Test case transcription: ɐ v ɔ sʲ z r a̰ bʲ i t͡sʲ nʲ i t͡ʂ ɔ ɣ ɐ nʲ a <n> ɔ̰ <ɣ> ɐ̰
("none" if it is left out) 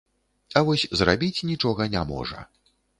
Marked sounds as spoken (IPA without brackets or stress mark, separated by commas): m, ʐ